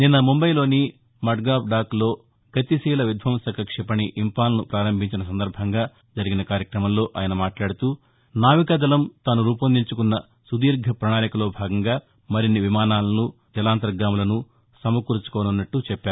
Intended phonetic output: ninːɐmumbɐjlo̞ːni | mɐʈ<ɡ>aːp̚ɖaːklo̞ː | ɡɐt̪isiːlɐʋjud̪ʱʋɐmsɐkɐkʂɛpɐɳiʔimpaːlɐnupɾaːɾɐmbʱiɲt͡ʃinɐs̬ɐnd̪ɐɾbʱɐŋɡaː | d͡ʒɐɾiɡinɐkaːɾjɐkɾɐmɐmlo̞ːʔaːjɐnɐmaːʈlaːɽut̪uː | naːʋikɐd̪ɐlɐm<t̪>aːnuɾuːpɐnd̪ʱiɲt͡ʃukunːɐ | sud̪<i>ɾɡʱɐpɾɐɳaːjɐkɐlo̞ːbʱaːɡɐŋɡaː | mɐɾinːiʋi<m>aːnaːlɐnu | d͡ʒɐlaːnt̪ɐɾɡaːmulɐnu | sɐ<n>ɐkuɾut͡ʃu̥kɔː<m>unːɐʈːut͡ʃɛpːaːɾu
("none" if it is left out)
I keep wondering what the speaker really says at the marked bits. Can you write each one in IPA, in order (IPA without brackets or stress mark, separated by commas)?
ɡ, t̪, iː, m, m, n